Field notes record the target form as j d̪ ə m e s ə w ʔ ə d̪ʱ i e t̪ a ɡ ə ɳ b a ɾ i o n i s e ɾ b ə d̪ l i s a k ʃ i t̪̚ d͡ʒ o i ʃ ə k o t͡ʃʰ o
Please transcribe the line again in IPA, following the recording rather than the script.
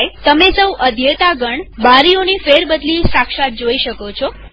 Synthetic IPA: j t̪ ə m e s ə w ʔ ə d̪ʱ j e t̪ a ɡ ə ɳ b a ɾ i o n i f e ɾ b ə d̪ l i s a k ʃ a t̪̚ d͡ʒ o i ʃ ə k o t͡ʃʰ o